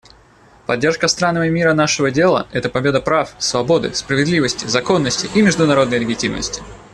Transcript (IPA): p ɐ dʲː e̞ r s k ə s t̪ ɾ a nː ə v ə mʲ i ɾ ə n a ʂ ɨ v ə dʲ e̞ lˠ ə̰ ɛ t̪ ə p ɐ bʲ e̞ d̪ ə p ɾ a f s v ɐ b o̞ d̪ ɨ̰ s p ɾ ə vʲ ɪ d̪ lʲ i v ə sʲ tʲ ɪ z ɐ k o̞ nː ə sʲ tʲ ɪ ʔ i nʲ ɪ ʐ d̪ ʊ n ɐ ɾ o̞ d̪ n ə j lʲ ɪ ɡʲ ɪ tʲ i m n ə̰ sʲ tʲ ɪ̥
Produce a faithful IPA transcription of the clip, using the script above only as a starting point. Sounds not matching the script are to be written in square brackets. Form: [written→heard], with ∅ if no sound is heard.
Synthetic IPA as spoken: p ɐ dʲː e̞ r [s→ʂ] k ə s t̪ ɾ a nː ə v ə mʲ i ɾ ə n a ʂ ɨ v ə dʲ e̞ lˠ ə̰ ɛ t̪ ə p ɐ bʲ e̞ d̪ ə p ɾ a f s v ɐ b o̞ d̪ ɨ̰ s p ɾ ə vʲ ɪ d̪ lʲ i v ə sʲ tʲ ɪ z ɐ k o̞ nː ə sʲ tʲ ɪ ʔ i [nʲ→mʲ] ɪ ʐ d̪ ʊ n ɐ ɾ o̞ d̪ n ə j lʲ ɪ ɡʲ ɪ tʲ i m n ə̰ sʲ tʲ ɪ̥